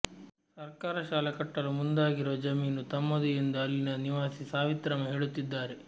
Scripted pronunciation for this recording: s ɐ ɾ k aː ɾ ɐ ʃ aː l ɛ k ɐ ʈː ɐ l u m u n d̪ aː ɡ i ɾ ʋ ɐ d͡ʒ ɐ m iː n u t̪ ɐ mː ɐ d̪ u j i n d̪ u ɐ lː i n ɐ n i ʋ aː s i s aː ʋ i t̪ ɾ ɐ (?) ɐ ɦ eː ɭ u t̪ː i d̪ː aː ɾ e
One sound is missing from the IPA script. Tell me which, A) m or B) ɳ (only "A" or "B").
A